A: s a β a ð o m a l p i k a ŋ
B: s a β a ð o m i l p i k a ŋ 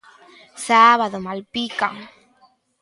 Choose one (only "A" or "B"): A